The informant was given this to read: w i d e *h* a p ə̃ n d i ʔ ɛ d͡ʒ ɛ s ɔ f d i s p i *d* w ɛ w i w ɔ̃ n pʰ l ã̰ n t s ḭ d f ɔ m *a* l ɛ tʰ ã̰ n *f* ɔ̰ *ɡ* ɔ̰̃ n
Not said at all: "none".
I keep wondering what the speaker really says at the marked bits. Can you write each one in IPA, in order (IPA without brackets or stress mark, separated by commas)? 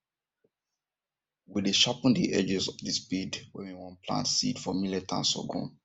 ʃ, d, i, s, ɡ